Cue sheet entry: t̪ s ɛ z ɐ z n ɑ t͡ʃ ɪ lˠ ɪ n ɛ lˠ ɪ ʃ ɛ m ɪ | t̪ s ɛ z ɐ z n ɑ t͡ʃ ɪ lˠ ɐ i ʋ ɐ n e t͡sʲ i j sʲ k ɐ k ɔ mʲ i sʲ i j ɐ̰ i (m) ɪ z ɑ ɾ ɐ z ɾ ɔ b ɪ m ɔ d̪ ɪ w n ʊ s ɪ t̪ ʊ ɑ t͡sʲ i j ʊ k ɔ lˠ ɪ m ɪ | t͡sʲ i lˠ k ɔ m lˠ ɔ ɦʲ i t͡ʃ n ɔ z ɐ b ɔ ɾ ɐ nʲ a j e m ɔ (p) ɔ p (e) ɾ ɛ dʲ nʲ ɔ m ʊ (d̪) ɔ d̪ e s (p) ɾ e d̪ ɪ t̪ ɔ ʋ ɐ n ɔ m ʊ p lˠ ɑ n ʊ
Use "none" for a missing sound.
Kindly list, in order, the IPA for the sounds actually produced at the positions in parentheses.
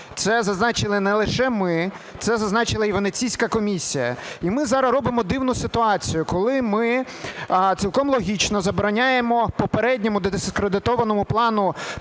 m, p, e, d̪, k

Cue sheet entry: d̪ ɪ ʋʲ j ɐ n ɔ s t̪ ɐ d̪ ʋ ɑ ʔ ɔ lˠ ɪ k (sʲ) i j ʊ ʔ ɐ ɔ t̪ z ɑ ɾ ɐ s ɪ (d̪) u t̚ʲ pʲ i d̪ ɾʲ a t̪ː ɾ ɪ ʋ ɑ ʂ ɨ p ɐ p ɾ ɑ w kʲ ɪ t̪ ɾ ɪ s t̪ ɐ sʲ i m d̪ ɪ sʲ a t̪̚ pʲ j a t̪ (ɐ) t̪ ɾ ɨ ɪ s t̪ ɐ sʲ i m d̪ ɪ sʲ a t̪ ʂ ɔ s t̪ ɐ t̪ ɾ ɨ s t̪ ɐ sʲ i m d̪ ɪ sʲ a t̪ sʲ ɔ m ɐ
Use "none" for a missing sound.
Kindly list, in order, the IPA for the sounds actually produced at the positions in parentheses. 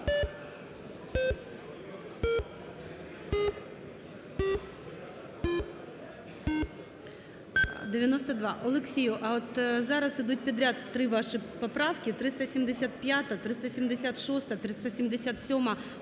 sʲ, d̪, ɐ

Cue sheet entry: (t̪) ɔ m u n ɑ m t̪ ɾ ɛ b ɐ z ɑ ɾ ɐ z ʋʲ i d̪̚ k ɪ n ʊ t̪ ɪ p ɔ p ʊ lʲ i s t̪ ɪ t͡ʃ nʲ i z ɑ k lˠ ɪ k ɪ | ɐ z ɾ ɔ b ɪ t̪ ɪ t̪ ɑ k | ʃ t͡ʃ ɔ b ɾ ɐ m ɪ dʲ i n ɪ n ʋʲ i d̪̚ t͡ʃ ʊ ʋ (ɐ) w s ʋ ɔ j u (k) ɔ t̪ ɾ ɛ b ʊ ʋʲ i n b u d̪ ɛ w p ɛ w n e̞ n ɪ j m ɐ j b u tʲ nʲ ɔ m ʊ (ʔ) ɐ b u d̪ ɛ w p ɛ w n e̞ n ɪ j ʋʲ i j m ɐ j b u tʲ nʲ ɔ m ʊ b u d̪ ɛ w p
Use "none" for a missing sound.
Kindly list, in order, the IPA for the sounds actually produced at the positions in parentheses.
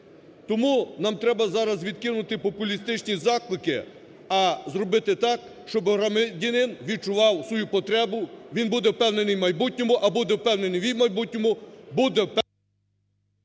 t̪, ɑ, p, ʔ

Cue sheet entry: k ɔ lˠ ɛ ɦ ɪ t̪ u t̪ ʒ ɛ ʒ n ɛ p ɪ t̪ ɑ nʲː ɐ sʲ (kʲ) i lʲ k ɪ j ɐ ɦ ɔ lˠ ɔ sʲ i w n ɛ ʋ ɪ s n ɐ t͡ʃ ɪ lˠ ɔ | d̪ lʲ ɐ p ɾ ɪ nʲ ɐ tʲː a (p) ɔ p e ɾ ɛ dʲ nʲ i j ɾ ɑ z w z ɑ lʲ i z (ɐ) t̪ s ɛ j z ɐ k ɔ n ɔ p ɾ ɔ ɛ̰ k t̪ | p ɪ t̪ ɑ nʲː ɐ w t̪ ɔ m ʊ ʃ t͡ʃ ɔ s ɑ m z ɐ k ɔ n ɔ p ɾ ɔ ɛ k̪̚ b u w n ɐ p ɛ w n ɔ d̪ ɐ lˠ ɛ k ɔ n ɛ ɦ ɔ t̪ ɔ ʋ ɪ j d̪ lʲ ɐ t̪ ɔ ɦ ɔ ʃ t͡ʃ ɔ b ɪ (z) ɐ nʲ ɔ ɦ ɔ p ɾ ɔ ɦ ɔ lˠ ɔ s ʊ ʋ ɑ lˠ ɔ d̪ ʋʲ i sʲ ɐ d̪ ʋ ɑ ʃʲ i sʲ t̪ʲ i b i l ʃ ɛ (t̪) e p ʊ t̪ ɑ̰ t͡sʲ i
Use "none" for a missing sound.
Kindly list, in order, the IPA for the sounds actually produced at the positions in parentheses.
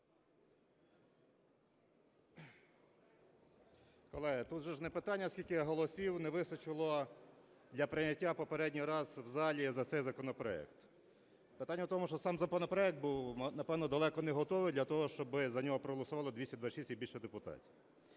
kʲ, p, ɐ, z, d̪

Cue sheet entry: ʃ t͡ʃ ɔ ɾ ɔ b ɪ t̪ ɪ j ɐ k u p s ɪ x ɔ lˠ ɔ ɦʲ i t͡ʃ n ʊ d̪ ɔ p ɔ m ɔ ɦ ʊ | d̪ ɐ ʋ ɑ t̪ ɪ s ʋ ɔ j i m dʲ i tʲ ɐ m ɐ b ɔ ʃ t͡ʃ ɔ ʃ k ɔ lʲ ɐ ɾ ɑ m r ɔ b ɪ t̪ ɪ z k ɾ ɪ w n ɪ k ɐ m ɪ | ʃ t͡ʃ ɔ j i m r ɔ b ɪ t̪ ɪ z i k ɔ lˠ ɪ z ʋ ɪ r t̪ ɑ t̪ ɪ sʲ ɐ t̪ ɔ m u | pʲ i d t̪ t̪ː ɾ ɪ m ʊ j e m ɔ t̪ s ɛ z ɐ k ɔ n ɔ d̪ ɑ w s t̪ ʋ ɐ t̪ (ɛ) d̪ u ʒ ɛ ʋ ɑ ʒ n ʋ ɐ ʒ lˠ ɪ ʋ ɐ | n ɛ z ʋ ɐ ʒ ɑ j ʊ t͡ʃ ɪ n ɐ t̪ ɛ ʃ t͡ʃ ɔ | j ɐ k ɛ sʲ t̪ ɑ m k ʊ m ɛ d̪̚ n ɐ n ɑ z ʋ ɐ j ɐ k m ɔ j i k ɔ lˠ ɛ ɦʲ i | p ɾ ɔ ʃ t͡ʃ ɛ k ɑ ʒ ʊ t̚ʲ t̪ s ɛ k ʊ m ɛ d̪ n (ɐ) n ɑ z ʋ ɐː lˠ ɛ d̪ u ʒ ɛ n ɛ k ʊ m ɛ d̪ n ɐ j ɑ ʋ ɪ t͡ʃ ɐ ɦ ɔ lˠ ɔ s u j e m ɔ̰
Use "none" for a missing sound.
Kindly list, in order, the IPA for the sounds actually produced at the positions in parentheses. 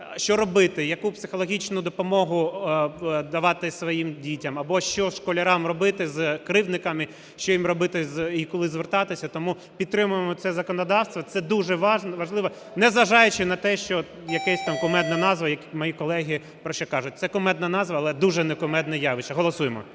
ɛ, ɐ

